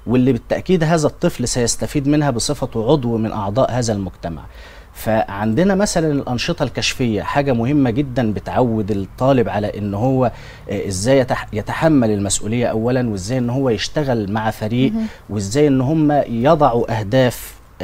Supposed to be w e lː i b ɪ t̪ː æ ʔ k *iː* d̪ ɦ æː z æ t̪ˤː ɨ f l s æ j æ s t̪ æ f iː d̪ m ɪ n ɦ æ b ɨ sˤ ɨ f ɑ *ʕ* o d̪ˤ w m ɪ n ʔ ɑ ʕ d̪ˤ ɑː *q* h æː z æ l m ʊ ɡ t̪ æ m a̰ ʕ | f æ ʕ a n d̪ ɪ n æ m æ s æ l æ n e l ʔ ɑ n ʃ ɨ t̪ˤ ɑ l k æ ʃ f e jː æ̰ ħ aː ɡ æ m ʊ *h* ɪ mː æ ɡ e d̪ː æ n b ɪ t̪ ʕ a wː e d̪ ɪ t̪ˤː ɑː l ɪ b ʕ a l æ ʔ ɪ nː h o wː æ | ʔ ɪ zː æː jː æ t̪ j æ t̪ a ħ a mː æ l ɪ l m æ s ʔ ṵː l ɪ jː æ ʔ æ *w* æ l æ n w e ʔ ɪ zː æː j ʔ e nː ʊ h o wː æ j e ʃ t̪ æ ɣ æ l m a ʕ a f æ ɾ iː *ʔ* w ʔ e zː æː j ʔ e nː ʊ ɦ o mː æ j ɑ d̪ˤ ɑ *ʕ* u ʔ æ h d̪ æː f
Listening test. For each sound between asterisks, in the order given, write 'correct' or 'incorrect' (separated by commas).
correct, correct, incorrect, correct, incorrect, correct, correct